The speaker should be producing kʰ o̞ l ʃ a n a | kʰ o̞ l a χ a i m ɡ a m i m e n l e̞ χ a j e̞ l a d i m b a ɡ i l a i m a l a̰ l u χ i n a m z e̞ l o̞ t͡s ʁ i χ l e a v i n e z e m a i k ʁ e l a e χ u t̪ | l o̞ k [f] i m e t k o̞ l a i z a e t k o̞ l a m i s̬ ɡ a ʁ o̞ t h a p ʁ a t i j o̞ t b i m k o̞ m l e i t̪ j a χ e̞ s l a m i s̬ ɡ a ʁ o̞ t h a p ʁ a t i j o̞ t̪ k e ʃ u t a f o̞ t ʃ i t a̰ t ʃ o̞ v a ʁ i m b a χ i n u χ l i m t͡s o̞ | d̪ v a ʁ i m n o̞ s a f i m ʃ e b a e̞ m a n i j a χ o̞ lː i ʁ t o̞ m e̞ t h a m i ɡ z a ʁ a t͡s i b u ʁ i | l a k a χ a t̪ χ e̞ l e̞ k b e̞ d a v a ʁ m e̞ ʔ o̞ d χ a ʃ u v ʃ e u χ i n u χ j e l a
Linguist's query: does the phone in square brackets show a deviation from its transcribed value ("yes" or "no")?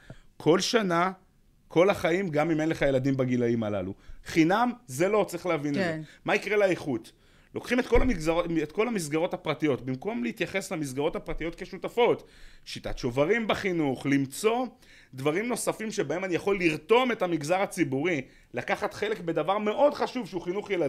yes